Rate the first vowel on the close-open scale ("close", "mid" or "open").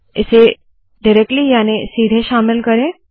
close